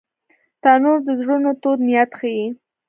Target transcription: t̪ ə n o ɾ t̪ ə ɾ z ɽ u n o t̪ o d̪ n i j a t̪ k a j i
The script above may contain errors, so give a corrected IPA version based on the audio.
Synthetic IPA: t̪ ɑ n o ɾ d̪ ə z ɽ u n o t̪ o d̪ n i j a t̪ x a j i